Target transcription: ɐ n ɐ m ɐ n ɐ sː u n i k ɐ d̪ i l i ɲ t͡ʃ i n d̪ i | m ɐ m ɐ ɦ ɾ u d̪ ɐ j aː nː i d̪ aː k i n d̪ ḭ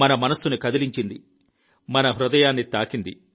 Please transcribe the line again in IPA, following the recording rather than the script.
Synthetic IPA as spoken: ɐ n ɐ m ɐ n ɐ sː u n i k ɐ d̪ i l i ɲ t͡ʃ i n d̪ i | m ɐ n ɐ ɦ ɾ u d̪ ɐ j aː nː i t̪ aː k i n d̪ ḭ